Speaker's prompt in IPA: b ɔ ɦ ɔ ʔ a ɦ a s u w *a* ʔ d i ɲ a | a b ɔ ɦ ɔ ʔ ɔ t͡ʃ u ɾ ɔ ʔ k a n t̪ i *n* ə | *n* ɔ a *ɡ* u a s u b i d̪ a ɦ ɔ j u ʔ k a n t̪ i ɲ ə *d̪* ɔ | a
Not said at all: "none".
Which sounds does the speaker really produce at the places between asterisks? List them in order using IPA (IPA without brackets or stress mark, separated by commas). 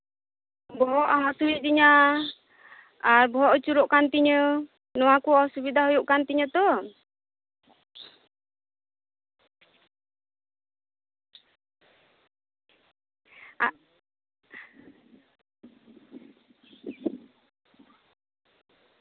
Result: i, ɲ, n, k, t̪